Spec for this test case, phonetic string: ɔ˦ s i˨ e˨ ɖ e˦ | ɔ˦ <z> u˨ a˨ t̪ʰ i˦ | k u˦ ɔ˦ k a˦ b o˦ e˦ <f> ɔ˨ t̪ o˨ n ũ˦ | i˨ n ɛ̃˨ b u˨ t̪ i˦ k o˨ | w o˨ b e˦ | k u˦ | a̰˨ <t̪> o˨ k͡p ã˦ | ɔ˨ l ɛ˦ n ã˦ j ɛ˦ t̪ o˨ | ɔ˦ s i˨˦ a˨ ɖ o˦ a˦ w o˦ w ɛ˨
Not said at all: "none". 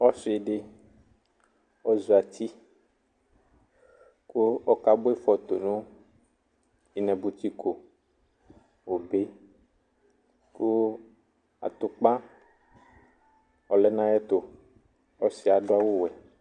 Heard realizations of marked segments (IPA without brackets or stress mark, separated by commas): z, f, t̪